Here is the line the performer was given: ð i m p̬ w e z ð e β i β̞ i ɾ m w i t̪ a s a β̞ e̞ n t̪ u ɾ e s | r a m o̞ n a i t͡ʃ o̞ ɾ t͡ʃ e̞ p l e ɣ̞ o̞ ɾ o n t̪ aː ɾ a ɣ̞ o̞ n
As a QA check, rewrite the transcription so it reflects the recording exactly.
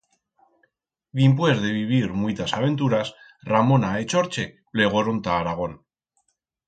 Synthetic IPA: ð i m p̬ w e z ð e β i β̞ i ɾ m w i t̪ a s a β̞ e̞ n t̪ u ɾ a s | r a m o̞ n a e t͡ʃ o̞ ɾ t͡ʃ e̞ p l e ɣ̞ o̞ ɾ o n t̪ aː ɾ a ɣ̞ o̞ n